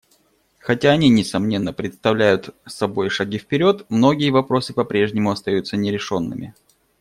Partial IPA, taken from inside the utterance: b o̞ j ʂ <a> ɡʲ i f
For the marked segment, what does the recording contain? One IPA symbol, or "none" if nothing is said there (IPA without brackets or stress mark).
ɐ